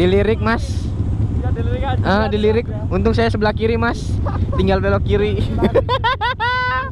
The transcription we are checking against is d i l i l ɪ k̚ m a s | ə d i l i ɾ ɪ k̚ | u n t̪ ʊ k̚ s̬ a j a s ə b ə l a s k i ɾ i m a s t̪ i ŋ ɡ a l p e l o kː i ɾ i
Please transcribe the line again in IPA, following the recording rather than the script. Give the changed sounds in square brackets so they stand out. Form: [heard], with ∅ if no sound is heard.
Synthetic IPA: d i l i [ɾ] ɪ k̚ m a s | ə d i l i ɾ ɪ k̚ | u n t̪ ʊ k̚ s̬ a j a s ə b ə l a [h] k i ɾ i m a s t̪ i ŋ ɡ a l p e l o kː i ɾ i

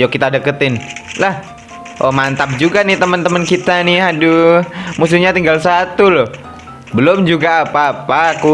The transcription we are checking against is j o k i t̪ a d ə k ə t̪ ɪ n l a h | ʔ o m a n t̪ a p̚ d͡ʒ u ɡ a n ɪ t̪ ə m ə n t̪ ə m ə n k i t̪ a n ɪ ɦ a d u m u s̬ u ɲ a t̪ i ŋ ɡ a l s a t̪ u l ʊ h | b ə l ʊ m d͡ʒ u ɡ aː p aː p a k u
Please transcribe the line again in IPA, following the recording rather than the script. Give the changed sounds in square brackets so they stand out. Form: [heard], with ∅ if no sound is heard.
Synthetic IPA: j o k i t̪ a d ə k ə t̪ ɪ n l a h | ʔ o m a n t̪ a p̚ d͡ʒ u ɡ a n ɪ t̪ ə m ə n t̪ ə m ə n k i t̪ a n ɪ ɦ a d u m u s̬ u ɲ a t̪ i ŋ ɡ a l s a t̪ u l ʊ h | b ə l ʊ m d͡ʒ u ɡ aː p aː p a k u

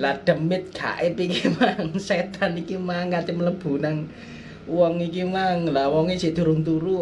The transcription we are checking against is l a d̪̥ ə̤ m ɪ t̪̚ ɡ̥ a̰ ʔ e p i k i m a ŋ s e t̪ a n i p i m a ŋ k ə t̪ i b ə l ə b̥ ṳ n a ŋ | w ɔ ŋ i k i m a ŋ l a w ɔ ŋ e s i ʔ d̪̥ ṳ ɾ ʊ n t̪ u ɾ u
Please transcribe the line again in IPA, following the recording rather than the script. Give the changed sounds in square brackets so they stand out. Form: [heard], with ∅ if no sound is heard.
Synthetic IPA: l a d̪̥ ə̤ m ɪ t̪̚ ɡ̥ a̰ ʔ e p i k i m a ŋ s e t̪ a n i [k] i m a ŋ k [a] t̪ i [m] ə l ə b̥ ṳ n a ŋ | w ɔ ŋ i k i m a ŋ l a w ɔ ŋ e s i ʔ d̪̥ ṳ ɾ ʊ [ŋ] t̪ u ɾ u

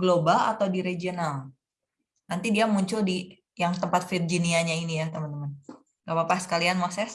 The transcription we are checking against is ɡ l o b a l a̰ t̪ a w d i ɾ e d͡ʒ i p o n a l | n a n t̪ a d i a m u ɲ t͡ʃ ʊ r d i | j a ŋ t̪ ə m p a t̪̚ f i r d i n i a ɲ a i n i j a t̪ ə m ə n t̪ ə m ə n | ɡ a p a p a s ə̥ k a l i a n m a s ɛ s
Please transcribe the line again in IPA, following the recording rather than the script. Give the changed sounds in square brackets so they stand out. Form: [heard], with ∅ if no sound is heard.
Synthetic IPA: ɡ l o b a l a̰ t̪ a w d i ɾ e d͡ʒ i [∅] o n a l | n a n t̪ [i] d i a m u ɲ t͡ʃ ʊ [l] d i | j a ŋ t̪ ə m p a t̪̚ f i r [d͡ʒ] i n i a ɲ a i n i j a t̪ ə m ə n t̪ ə m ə n | ɡ a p a p a s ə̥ k a l i a n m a s ɛ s

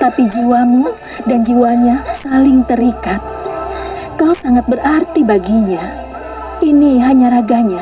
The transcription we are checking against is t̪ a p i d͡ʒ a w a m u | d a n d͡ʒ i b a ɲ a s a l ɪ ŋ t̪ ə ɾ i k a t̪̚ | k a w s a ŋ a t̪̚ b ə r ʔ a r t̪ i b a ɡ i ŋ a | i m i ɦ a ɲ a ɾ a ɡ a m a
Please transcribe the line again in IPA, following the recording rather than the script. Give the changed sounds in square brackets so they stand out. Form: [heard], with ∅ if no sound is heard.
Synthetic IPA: t̪ a p i d͡ʒ [i] w a m u | d a n d͡ʒ i [w] a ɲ a s a l ɪ ŋ t̪ ə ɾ i k a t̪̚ | k a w s a ŋ a t̪̚ b ə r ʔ a r t̪ i b a ɡ i [ɲ] a | i [n] i ɦ a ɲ a ɾ a ɡ a [ɲ] a

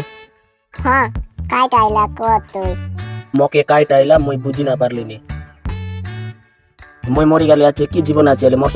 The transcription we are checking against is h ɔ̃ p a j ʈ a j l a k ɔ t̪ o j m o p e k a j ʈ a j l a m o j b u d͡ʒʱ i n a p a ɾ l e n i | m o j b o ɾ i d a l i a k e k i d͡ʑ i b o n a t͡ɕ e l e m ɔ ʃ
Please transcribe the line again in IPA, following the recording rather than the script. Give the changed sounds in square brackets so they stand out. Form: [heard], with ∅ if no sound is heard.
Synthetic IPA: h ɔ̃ [k] a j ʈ a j l a k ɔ t̪ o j m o [k] e k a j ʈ a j l a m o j b u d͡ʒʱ i n a p a ɾ l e n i | m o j [m] o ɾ i [ɡ] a l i a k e k i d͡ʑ i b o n a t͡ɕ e l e m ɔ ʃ

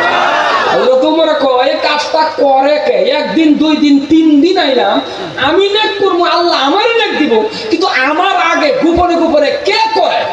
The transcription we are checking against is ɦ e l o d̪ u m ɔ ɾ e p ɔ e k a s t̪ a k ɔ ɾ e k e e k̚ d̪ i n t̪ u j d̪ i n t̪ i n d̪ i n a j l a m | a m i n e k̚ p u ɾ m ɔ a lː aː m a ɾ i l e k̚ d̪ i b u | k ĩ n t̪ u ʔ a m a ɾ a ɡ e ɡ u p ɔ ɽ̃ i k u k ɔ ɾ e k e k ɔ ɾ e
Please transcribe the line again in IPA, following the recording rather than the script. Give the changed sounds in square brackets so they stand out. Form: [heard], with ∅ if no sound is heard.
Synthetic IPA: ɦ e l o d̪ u m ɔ ɾ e [k] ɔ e k a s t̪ a k ɔ ɾ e k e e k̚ d̪ i n [d̪] u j d̪ i n t̪ i n d̪ i n a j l a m | a m i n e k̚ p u ɾ m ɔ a lː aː m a ɾ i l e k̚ d̪ i b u | k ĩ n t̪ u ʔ a m a ɾ a ɡ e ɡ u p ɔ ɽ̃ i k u [p] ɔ ɾ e k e k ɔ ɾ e

